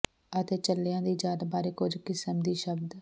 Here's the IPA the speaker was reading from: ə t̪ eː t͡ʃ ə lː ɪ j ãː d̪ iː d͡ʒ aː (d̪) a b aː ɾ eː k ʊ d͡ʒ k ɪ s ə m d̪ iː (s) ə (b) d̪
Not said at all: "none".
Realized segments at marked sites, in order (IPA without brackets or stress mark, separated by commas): d̪, ʃ, b